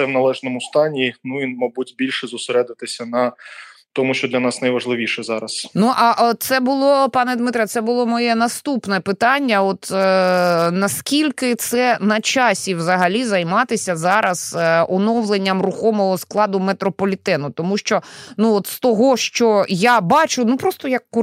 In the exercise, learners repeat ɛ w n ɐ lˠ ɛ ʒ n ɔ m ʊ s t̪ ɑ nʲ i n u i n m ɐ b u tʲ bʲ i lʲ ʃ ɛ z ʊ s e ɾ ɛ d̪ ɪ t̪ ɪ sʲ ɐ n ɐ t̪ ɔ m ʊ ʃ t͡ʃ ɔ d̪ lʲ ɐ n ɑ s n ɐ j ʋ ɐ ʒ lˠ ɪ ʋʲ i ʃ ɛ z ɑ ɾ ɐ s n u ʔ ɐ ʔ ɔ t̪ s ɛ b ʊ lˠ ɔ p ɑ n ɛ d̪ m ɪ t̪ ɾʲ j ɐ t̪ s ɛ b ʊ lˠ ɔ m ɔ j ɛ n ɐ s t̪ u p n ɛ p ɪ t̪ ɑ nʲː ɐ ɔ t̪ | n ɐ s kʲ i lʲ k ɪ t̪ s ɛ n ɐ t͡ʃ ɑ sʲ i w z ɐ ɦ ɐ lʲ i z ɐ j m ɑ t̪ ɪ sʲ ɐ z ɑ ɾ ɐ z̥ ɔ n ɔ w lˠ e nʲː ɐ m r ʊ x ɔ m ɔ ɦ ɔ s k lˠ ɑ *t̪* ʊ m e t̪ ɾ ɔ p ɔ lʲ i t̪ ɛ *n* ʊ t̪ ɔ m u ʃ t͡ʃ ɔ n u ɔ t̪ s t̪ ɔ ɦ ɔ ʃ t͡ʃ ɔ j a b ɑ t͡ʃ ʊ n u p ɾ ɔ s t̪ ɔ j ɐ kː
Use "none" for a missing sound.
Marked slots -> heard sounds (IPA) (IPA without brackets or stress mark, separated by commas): d̪, n